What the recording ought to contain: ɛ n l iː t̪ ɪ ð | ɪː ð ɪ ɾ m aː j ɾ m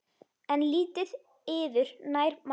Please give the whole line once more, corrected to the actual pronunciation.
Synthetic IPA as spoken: ɛ n l iː t̪ ɪ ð | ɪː v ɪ ɾ n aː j ɾ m